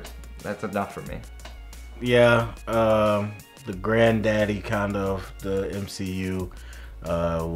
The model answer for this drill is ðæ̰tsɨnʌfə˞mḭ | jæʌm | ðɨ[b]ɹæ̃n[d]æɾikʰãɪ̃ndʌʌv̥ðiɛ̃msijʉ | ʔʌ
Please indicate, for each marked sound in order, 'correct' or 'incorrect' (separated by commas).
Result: incorrect, correct